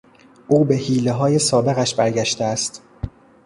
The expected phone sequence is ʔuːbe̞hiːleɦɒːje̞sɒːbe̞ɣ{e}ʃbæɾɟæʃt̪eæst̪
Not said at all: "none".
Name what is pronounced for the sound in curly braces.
æ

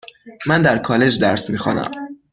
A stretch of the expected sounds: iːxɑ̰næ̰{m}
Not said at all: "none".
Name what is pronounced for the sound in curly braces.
m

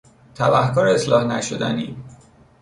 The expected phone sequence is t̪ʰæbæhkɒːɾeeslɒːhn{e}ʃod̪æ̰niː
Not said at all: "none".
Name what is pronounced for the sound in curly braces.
æ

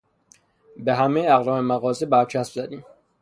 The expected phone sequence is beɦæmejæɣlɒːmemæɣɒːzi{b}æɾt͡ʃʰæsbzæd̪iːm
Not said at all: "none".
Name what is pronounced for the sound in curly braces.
b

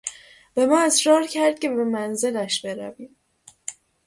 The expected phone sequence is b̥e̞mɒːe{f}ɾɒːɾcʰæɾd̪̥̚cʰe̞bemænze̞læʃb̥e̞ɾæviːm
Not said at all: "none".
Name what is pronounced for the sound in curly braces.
s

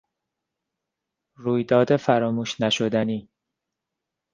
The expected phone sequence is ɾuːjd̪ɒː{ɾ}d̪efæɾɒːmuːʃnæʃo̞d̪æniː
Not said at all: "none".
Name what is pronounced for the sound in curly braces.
none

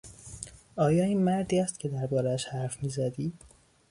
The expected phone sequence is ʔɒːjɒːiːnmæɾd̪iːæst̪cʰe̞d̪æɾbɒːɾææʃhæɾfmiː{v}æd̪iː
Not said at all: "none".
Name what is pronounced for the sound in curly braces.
z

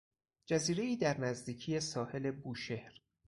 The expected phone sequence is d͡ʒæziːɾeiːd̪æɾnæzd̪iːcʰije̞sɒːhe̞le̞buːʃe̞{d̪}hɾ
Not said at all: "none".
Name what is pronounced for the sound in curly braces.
none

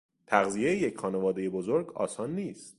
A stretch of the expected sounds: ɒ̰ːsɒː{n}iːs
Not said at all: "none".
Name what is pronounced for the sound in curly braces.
nː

